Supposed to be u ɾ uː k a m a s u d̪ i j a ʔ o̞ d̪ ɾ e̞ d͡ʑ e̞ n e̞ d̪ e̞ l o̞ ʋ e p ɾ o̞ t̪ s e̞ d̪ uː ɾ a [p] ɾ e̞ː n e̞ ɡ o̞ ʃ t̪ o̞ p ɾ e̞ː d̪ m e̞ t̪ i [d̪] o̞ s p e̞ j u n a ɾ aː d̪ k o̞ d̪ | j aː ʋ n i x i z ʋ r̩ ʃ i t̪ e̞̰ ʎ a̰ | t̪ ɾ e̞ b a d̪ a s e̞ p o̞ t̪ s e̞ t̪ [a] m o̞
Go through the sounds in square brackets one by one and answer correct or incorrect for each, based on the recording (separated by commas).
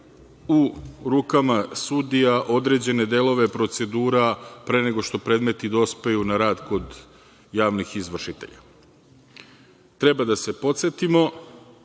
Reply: correct, correct, incorrect